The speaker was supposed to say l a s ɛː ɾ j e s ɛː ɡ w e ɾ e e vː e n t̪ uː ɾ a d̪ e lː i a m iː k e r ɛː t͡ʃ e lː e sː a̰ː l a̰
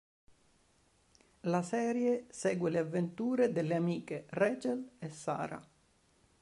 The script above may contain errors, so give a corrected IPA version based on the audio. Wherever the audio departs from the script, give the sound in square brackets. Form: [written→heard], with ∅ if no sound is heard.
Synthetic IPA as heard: l a s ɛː ɾ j e s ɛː ɡ w e [ɾ→l] e [e→a] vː e n t̪ uː ɾ [a→e] d̪ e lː [i→e] a m iː k e r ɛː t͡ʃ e [lː→l] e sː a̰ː [l→ɾ] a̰